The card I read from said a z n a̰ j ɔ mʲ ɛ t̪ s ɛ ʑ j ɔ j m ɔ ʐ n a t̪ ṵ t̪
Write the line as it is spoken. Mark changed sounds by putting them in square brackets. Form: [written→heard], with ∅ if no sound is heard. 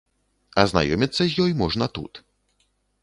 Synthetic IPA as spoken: a z n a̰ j ɔ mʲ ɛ t̪ s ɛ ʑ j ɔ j m ɔ ʐ n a t̪ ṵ t̪